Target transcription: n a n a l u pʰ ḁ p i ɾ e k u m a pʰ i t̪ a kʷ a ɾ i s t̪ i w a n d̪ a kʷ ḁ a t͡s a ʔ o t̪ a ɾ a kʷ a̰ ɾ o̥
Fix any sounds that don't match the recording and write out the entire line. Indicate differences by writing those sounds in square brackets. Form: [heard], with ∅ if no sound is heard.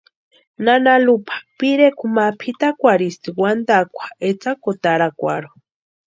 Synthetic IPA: n a n a l u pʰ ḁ p i ɾ e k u m a pʰ i t̪ a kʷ a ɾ i s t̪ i w a n d̪ a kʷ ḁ [e] t͡s a [k] o t̪ a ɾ a kʷ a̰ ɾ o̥